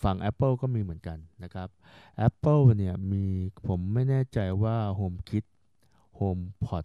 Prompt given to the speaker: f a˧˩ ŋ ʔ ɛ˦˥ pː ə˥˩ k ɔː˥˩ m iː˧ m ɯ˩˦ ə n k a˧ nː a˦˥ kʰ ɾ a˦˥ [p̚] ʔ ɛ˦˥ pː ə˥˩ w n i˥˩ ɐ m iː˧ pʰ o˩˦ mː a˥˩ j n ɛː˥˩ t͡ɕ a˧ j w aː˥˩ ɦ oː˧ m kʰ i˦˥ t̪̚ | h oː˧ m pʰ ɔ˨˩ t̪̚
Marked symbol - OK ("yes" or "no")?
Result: yes